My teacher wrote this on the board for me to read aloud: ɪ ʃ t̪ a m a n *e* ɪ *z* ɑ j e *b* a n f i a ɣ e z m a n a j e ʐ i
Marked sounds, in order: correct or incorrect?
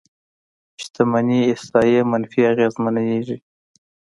incorrect, incorrect, incorrect

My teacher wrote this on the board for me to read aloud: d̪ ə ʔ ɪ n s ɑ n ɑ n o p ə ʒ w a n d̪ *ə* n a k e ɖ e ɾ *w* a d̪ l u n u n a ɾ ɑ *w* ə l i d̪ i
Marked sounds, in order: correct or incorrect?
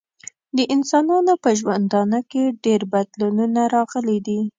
incorrect, incorrect, incorrect

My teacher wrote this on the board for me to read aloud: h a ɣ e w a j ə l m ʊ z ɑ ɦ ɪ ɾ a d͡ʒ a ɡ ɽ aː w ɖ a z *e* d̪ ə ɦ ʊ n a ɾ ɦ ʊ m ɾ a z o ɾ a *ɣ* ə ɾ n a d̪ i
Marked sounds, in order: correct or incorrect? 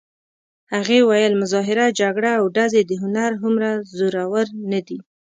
correct, incorrect

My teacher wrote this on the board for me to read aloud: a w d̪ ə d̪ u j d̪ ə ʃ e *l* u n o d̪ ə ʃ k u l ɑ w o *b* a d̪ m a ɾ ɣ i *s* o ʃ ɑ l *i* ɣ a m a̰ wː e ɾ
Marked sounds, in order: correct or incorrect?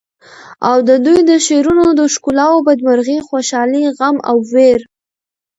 incorrect, correct, incorrect, correct

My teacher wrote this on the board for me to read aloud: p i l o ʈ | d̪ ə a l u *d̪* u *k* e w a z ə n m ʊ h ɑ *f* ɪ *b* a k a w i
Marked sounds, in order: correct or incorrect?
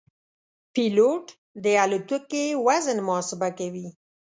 incorrect, correct, incorrect, correct

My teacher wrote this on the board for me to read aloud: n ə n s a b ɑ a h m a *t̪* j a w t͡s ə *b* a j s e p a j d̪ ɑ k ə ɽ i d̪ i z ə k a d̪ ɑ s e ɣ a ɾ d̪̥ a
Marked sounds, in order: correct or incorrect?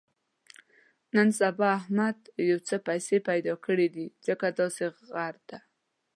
incorrect, incorrect

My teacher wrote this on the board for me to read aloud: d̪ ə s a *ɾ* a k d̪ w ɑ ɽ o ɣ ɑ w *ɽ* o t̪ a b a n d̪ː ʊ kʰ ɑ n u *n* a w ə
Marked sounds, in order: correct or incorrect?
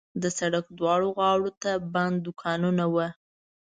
incorrect, correct, correct

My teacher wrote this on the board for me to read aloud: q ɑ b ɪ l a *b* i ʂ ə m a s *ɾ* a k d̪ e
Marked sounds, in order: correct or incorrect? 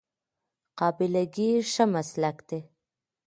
incorrect, incorrect

